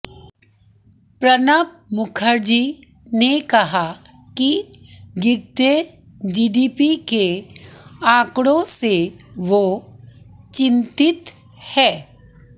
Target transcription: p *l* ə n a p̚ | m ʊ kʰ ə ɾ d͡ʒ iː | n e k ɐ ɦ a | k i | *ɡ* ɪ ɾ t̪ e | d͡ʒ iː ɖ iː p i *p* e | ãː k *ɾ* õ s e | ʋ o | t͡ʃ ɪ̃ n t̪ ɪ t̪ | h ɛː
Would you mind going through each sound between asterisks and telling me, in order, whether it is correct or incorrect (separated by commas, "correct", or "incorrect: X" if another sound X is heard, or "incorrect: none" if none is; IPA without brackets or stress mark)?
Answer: incorrect: ɾ, correct, incorrect: k, incorrect: ɽ